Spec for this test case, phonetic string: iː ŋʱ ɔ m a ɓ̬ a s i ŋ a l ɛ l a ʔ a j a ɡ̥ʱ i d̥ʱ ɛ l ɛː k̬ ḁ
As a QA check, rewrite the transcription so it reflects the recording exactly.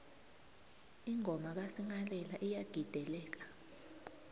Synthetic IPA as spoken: i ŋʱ ɔ m a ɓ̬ a s i ŋ a l ɛ l a ʔ i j a ɡ̥ʱ i d̥ʱ ɛ l ɛː k̬ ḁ